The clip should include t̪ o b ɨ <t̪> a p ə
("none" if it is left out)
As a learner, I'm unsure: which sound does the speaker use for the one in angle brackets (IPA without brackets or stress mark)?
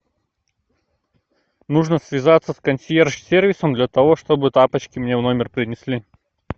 t̪